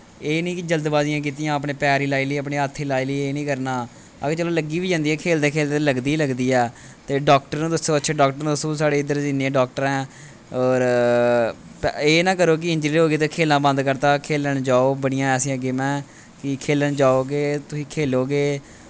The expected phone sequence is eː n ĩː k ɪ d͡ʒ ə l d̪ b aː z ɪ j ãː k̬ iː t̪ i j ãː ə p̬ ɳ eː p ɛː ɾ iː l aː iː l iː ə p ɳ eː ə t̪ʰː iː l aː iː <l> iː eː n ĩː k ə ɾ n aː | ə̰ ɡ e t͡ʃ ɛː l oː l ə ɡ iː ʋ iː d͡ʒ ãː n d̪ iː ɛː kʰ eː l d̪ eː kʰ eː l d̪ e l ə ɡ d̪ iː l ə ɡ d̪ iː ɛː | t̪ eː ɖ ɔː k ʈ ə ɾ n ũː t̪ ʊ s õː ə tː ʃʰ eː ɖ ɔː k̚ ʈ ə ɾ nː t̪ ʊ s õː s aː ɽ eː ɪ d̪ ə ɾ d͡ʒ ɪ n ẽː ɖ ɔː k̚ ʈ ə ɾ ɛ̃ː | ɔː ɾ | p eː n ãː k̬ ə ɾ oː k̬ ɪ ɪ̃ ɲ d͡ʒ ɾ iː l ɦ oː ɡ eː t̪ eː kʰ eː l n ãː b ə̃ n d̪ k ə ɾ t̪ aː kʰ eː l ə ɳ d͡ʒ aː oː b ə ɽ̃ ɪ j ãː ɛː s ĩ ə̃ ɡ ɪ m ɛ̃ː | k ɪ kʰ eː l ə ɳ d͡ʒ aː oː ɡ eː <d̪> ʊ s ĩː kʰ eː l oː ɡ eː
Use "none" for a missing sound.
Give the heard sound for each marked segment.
l, t̪

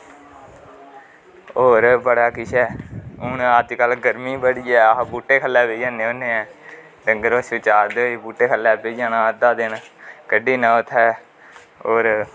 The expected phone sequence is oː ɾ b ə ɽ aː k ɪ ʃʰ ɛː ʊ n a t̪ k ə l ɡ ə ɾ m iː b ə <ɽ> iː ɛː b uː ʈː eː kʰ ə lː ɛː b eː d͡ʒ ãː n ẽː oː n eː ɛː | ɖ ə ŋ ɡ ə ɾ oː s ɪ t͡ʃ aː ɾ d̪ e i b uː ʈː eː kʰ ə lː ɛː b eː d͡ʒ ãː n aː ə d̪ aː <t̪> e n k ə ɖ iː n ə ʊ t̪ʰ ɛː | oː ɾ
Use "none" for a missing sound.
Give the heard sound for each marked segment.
ɽ, d̪

